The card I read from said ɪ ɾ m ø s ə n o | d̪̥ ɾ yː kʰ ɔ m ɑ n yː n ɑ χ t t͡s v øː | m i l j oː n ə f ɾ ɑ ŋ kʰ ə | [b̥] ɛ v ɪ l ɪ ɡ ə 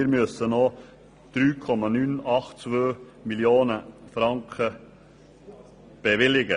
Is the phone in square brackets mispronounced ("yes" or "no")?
no